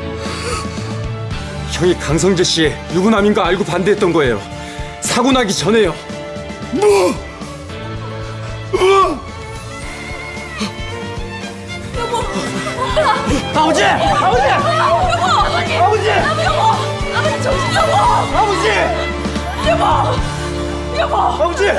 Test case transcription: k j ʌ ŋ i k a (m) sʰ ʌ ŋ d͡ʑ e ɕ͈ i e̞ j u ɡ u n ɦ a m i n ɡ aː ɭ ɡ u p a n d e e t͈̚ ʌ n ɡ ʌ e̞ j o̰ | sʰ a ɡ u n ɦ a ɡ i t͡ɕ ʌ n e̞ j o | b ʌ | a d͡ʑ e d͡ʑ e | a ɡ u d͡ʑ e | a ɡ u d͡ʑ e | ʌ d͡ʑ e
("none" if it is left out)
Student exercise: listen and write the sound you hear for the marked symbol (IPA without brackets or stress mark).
ŋ